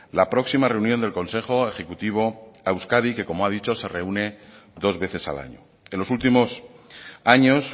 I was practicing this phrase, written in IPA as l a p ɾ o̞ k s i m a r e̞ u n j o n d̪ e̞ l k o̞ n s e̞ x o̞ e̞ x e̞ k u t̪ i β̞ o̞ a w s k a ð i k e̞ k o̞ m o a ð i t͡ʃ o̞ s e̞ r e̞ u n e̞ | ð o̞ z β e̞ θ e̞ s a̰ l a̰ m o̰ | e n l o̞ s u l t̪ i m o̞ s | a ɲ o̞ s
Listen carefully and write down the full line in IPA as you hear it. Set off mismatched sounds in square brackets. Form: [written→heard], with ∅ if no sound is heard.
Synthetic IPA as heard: l a p ɾ o̞ k s i m a r e̞ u n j o n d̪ e̞ l k o̞ n s e̞ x o̞ e̞ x e̞ k u t̪ i β̞ o̞ a w s k a ð i k e̞ k o̞ m o a ð i t͡ʃ o̞ s e̞ r e̞ u n e̞ | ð o̞ z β e̞ θ e̞ s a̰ l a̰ [m→ɲ] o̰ | e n l o̞ s u l t̪ i m o̞ s | a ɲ o̞ s